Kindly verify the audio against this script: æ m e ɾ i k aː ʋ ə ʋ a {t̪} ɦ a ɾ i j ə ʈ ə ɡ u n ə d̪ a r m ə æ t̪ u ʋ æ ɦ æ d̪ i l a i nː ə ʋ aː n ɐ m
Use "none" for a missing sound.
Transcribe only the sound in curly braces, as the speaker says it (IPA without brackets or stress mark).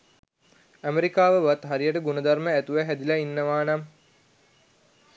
t̪